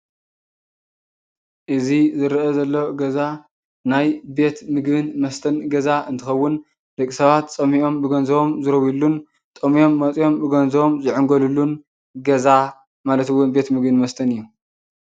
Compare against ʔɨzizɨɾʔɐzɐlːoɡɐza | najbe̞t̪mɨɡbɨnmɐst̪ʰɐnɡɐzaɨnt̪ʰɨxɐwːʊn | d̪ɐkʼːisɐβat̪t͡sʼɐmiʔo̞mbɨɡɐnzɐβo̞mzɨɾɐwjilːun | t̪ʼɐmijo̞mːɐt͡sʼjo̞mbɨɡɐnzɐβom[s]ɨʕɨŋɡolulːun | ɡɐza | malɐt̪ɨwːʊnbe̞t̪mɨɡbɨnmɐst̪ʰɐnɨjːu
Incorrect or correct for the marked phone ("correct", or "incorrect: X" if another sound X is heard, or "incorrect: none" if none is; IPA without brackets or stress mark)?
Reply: incorrect: z